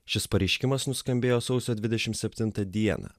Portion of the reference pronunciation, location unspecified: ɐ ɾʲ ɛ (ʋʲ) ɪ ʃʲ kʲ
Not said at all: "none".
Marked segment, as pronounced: none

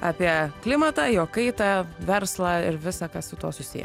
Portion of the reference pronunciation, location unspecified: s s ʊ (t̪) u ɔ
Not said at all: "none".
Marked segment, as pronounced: t̪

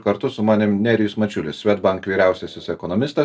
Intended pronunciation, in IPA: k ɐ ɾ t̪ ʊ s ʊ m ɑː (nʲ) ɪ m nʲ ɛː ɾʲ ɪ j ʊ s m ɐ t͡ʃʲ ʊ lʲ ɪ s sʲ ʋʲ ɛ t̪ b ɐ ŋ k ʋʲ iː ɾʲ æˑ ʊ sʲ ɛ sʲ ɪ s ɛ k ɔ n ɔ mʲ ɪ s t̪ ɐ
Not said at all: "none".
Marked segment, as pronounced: nʲ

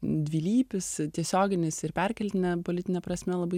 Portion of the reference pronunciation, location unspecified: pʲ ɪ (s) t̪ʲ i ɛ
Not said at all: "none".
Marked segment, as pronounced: s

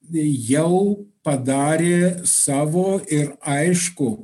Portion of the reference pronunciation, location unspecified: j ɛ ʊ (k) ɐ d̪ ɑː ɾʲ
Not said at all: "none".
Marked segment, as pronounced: p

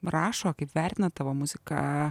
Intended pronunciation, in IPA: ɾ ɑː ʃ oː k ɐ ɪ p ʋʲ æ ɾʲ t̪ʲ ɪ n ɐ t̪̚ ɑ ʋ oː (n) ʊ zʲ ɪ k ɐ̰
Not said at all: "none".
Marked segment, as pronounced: m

